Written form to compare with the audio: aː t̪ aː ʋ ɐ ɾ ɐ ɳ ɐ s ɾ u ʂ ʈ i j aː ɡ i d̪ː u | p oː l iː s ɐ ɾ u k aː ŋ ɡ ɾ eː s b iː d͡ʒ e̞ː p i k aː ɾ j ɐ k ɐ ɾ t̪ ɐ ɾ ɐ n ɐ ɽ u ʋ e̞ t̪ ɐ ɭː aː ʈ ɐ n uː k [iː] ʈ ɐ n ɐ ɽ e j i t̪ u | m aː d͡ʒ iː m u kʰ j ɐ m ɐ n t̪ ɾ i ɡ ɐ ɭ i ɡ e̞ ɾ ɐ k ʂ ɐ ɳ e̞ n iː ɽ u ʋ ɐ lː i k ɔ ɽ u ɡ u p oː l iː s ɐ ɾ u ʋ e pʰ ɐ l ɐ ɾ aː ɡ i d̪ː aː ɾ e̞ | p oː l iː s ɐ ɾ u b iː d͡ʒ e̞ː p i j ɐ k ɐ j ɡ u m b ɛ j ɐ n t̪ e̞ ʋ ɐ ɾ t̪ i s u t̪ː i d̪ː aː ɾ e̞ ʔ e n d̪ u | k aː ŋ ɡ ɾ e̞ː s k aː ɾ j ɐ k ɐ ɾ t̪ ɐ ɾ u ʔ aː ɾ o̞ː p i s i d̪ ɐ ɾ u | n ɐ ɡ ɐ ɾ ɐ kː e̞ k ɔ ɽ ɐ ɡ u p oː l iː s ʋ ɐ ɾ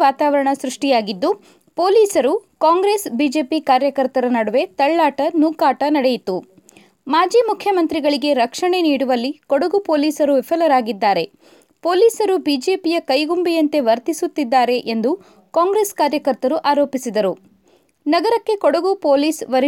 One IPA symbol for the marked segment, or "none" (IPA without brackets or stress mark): aː